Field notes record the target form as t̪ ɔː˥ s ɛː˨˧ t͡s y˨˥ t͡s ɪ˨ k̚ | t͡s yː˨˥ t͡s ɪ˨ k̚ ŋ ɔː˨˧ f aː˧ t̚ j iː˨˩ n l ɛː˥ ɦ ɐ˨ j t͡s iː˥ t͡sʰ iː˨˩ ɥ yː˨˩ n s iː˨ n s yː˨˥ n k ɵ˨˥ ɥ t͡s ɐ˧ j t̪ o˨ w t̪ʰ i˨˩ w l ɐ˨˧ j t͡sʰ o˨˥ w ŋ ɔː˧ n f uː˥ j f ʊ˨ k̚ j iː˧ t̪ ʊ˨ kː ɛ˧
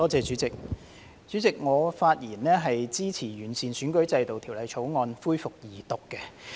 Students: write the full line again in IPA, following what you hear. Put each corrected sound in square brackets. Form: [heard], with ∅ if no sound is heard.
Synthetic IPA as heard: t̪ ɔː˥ [t͡s] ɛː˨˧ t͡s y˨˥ t͡s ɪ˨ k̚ | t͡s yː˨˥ t͡s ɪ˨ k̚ ŋ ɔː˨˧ f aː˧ t̚ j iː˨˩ n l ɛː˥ ɦ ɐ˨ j t͡s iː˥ t͡sʰ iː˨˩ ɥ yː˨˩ n s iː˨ n s yː˨˥ n k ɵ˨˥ ɥ t͡s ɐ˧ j t̪ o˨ w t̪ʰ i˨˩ w l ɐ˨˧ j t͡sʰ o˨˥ w ŋ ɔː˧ n f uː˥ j f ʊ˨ k̚ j [iː˨˩] t̪ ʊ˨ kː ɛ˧